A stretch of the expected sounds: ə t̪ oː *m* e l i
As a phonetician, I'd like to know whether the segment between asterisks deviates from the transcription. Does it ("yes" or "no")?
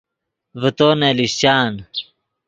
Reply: yes